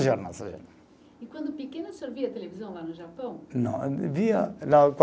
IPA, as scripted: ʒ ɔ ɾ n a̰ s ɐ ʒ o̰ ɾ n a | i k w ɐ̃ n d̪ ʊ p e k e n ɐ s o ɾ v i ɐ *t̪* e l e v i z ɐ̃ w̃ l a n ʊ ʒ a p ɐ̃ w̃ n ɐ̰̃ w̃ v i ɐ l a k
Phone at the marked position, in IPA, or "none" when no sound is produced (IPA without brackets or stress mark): t̪